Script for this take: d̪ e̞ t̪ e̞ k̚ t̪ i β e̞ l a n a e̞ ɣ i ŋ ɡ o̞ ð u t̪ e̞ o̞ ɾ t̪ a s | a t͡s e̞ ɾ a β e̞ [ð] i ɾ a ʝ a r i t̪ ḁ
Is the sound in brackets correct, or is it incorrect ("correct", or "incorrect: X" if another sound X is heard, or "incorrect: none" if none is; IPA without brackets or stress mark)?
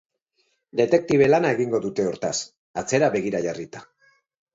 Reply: incorrect: ɣ